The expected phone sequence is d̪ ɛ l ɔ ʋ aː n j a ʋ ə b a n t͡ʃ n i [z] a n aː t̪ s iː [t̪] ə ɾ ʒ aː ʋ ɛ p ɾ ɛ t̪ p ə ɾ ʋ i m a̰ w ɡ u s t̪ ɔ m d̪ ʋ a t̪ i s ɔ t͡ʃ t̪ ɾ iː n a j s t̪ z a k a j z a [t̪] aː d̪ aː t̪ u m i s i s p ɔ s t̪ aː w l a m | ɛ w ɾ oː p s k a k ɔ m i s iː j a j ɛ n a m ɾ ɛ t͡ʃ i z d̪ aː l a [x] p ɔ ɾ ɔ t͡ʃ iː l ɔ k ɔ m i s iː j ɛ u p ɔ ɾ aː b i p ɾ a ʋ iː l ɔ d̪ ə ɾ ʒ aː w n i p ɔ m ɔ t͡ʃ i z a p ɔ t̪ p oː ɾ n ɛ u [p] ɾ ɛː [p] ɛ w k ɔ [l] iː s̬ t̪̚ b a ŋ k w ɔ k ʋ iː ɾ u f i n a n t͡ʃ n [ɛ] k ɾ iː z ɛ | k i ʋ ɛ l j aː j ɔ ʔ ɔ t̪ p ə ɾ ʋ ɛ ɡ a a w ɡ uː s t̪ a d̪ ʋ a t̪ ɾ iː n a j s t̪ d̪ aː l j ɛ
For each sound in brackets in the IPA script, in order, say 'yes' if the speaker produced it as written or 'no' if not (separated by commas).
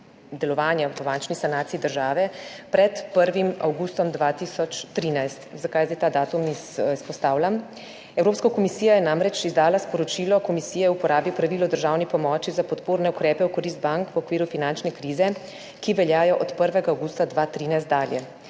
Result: no, no, yes, no, no, yes, no, yes